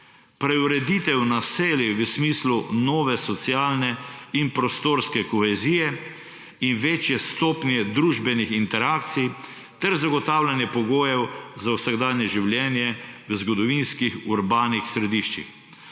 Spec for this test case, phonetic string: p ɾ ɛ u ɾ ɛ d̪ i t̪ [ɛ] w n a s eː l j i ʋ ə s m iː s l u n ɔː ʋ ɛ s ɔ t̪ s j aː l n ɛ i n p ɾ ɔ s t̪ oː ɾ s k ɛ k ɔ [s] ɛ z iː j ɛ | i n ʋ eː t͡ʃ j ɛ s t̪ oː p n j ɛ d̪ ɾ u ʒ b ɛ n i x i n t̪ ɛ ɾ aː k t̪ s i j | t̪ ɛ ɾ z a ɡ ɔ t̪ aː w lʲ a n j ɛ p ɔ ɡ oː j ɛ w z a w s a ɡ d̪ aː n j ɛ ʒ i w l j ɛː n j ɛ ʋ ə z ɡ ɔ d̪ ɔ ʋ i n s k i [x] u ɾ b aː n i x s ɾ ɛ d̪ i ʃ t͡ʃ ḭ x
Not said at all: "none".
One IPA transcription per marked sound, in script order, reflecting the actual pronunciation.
ɛ, x, x

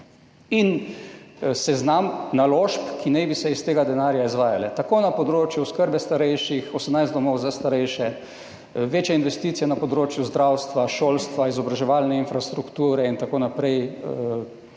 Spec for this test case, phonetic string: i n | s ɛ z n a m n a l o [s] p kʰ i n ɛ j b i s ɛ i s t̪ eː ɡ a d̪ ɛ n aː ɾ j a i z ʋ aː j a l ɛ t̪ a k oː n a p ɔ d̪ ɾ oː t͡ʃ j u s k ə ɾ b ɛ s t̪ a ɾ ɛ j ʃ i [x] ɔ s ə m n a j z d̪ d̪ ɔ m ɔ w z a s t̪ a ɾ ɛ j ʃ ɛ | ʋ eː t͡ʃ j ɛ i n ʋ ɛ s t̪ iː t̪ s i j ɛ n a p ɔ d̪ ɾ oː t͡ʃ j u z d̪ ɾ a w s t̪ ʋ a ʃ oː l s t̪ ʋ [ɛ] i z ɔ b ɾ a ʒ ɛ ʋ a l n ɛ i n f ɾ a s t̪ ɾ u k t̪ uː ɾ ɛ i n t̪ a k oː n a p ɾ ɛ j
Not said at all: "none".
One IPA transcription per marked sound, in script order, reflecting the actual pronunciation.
ʃ, x, a

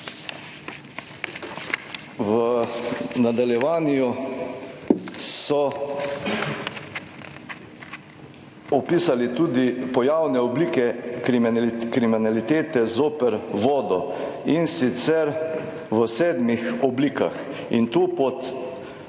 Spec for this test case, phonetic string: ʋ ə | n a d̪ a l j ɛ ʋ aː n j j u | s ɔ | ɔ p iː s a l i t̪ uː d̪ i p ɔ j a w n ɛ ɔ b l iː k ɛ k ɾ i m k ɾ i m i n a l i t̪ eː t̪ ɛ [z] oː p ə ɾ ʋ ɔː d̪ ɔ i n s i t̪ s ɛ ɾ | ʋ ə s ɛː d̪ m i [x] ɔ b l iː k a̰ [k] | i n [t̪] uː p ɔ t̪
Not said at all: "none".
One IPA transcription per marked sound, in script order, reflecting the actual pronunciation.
z, x, x, t̪

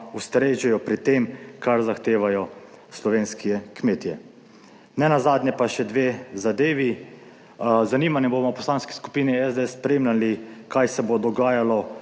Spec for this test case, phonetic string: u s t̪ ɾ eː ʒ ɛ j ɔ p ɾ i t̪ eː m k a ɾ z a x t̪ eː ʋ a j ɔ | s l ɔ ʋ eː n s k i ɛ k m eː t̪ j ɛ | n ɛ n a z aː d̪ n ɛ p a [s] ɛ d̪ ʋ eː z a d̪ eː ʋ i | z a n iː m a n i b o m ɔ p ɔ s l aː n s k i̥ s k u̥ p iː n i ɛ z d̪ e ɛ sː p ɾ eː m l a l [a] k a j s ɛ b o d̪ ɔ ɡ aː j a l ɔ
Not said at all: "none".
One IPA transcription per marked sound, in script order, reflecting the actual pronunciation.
ʃ, i

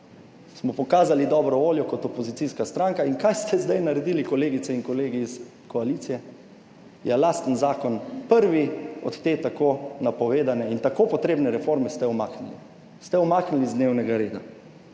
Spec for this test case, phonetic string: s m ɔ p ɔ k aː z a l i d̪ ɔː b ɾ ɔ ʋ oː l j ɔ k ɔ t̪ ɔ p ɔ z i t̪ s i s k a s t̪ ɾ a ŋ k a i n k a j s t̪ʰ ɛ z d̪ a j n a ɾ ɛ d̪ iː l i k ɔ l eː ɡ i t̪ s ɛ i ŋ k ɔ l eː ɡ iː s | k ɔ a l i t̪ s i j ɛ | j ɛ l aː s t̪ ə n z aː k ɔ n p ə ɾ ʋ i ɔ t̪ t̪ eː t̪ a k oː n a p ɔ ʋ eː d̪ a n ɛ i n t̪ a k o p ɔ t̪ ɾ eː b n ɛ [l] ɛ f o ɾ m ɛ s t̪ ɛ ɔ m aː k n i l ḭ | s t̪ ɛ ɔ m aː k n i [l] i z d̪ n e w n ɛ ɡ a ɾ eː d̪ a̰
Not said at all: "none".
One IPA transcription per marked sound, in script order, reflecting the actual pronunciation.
ɾ, l

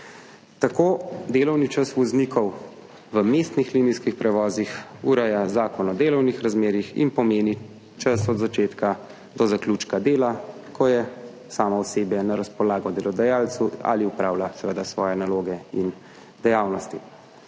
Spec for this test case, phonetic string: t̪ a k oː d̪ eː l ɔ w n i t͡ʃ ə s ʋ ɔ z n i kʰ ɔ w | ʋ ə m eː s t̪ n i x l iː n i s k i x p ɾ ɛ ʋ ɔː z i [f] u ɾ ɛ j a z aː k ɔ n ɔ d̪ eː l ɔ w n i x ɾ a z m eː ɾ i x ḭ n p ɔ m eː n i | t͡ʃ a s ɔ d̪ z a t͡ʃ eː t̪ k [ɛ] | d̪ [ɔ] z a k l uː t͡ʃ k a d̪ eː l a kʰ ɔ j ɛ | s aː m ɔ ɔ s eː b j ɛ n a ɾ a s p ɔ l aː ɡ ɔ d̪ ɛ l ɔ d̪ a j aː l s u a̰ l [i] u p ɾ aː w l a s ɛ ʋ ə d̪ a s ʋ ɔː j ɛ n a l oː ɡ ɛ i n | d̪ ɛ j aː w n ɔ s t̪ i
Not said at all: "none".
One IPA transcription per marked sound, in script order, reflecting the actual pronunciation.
x, a, ɔ, i

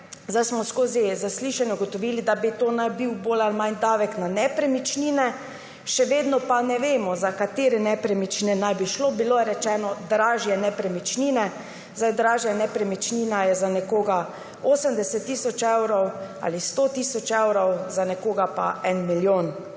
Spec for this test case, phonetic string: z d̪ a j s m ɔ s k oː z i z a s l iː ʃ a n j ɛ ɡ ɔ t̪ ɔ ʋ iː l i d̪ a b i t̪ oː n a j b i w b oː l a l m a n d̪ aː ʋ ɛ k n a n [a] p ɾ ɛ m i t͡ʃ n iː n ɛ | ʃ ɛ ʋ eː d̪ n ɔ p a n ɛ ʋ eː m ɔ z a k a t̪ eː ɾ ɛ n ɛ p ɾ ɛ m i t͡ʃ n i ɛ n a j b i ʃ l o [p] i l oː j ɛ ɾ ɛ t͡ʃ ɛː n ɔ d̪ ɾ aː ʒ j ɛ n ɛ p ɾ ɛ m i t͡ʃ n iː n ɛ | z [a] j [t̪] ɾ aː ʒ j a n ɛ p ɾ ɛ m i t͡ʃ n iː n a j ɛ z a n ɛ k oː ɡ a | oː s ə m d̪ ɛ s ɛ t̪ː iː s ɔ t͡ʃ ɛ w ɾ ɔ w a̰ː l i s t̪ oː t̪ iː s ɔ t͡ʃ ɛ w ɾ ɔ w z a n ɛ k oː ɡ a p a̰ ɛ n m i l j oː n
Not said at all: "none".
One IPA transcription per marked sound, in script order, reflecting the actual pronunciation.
ɛ, b, a, d̪

